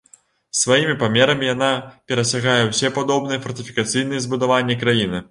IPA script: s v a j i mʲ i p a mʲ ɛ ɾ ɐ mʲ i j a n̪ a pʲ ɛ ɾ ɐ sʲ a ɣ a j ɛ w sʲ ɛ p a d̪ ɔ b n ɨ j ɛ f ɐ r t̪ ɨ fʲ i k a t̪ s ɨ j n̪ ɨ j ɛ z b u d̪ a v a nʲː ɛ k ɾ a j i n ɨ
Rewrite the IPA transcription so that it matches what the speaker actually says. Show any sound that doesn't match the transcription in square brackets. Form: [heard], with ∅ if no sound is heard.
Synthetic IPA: s v a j i mʲ i p a mʲ ɛ ɾ ɐ mʲ i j a n̪ a pʲ ɛ ɾ ɐ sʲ a ɣ a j ɛ w sʲ ɛ p a d̪ ɔ b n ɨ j ɛ f ɐ r t̪ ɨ fʲ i k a t̪ s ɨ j n̪ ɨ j ɛ z b u d̪ a v a nʲː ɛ k ɾ a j i n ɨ